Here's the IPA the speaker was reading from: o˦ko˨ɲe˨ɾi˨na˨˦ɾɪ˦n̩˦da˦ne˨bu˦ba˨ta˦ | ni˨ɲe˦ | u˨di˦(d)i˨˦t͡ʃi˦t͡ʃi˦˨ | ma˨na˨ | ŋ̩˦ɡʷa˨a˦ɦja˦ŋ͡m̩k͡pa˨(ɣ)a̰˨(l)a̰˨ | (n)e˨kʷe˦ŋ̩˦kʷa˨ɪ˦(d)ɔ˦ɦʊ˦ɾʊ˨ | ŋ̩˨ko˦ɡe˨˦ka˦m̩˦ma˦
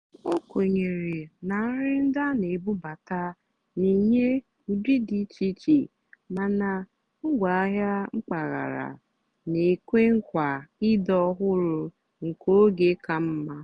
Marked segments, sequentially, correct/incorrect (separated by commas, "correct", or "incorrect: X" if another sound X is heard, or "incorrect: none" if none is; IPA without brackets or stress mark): correct, correct, incorrect: ɾ, correct, correct